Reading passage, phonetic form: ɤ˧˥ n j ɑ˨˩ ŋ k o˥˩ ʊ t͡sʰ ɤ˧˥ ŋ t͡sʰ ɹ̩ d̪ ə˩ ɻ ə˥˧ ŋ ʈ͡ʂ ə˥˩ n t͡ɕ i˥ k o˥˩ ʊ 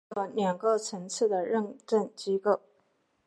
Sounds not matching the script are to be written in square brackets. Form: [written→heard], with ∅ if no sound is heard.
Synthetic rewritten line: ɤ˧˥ n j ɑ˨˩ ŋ k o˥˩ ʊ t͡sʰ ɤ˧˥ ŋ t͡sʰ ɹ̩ d̪ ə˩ ɻ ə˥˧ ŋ ʈ͡ʂ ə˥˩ n t͡ɕ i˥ k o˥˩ ʊ